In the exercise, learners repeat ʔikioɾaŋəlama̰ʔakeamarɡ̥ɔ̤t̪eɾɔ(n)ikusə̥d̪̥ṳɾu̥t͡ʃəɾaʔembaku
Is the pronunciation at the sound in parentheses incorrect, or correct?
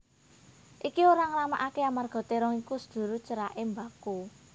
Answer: incorrect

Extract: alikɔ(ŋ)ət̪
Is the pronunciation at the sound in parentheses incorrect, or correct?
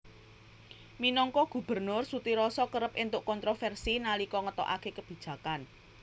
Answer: correct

